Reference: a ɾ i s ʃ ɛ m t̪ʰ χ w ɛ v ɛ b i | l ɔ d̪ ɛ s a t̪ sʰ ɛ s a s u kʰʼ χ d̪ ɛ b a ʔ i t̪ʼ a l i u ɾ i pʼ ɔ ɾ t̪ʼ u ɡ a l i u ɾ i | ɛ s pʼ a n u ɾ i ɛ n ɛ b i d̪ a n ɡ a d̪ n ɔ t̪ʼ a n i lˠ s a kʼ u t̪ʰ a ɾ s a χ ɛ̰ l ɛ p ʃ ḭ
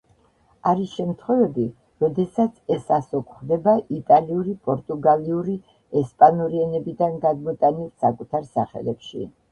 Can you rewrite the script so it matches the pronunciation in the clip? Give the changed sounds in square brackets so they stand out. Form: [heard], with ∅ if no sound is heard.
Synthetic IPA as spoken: a ɾ i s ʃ ɛ m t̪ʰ χ w ɛ v ɛ b i | [ɾ] ɔ d̪ ɛ s a t̪ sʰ ɛ s a s [ɔ] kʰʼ χ d̪ ɛ b a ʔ i t̪ʼ a l i u ɾ i pʼ ɔ ɾ t̪ʼ u ɡ a l i u ɾ i | ɛ s pʼ a n u ɾ i ɛ n ɛ b i d̪ a n ɡ a d̪ [m] ɔ t̪ʼ a n i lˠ s a kʼ u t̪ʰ a ɾ s a χ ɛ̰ l ɛ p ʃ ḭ